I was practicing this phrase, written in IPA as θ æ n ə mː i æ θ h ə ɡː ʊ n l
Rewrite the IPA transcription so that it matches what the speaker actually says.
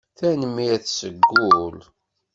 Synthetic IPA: θ æ n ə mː i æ θ s ə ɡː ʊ l